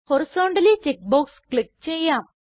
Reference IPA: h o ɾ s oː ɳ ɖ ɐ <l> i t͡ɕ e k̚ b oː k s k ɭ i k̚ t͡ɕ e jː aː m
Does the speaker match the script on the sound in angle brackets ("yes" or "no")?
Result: yes